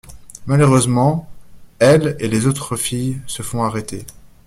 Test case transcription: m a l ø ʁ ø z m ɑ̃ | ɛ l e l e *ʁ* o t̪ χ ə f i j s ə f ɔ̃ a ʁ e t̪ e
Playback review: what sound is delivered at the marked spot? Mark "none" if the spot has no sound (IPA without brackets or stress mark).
z